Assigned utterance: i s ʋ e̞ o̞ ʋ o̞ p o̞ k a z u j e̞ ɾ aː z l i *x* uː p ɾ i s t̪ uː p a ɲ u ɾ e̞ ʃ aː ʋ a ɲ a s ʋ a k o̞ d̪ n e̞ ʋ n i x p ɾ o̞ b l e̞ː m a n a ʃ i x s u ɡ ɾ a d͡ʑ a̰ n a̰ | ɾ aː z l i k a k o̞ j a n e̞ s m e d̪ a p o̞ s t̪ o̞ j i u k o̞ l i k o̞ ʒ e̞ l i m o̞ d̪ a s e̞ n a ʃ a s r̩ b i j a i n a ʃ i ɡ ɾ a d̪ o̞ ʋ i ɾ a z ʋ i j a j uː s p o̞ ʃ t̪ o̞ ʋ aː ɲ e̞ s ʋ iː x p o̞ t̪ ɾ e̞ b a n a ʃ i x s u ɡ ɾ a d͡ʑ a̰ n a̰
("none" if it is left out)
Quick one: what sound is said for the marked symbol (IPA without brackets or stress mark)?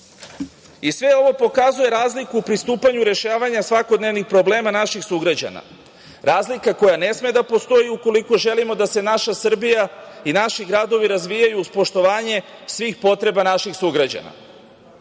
k